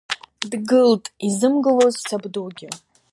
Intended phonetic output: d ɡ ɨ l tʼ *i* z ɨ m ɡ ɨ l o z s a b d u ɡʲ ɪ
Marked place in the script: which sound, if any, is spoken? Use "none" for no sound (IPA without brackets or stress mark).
i